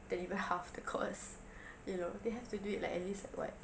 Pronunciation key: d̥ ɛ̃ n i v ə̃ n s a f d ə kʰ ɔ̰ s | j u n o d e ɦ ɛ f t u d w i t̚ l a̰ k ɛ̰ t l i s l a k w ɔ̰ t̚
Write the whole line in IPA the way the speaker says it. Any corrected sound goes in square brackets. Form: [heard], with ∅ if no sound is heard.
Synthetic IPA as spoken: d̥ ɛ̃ n i v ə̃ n [h] a f d ə kʰ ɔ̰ s | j u n o d e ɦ ɛ f t u d [u] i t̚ l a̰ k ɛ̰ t l i s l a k w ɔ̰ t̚